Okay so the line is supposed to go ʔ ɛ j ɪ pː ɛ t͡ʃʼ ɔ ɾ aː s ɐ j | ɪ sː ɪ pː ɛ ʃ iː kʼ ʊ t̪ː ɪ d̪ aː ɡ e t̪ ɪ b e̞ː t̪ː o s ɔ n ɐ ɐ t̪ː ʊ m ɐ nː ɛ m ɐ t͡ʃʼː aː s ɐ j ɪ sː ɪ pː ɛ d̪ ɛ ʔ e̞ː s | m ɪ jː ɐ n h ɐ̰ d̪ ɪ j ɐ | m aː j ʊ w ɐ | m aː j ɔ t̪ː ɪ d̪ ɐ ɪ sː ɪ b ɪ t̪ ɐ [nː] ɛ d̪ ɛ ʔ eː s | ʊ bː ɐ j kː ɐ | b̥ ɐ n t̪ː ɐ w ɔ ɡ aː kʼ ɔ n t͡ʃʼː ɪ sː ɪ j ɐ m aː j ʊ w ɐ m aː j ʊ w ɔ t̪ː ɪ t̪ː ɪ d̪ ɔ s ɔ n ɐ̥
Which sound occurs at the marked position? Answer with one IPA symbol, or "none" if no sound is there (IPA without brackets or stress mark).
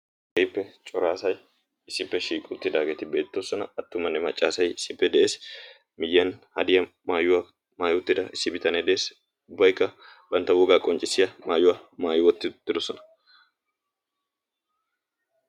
n